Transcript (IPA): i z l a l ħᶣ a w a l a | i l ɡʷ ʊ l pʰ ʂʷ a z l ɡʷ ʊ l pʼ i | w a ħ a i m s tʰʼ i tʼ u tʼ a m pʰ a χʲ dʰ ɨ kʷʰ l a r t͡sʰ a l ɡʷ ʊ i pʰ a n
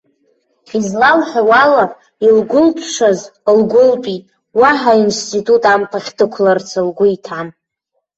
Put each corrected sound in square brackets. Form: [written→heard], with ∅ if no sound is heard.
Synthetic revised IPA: i z l a l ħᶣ a w a l a | i l ɡʷ ʊ l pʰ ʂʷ a z l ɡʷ ʊ l pʼ i | w a ħ a i [m→n] s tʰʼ i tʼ u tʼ a m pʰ a χʲ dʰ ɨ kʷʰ l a r t͡sʰ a l ɡʷ ʊ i [pʰ→tʰ] a n